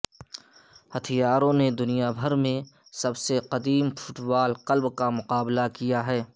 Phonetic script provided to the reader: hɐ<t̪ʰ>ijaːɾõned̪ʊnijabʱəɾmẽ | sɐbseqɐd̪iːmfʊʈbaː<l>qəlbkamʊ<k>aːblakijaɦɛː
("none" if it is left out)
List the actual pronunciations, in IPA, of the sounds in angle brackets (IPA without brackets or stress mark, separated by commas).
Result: t̪ʰ, l, q